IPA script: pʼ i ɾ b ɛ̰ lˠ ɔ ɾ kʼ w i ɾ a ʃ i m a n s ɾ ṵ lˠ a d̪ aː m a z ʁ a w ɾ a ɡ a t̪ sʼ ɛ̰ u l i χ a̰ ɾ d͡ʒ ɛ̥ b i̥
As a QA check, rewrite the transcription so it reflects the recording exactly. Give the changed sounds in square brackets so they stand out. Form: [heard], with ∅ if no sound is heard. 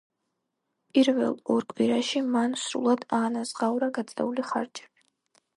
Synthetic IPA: pʼ i ɾ [v] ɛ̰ lˠ ɔ ɾ kʼ w i ɾ a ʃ i m a n s ɾ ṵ lˠ a d̪ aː [n] a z ʁ a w ɾ a ɡ a t̪ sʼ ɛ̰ u l i χ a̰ ɾ d͡ʒ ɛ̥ b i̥